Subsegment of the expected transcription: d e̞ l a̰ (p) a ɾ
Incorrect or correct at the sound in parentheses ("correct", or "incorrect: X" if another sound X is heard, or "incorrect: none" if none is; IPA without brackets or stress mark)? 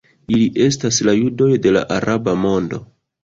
incorrect: ʔ